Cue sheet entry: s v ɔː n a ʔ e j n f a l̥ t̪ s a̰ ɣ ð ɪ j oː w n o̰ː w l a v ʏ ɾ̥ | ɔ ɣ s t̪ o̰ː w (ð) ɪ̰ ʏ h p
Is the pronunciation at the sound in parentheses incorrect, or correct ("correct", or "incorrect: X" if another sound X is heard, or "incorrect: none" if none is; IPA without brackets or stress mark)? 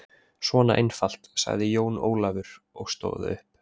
correct